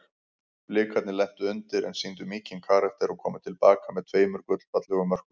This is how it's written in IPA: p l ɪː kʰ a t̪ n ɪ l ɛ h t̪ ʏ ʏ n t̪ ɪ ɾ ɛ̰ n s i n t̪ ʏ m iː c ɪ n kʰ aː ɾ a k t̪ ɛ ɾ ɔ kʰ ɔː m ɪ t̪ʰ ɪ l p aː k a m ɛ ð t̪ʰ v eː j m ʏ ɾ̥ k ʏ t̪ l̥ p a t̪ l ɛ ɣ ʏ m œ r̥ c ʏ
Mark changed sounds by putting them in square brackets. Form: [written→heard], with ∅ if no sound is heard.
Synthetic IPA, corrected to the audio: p l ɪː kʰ a t̪ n ɪ l ɛ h t̪ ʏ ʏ n t̪ ɪ ɾ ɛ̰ n s i n t̪ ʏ m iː c ɪ n kʰ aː ɾ a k t̪ ɛ ɾ ɔ kʰ ɔː m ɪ t̪ʰ ɪ l p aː k a m ɛ ð t̪ʰ v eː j m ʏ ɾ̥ k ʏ t̪ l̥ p a t̪ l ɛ ɣ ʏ m œ r̥ [c→k] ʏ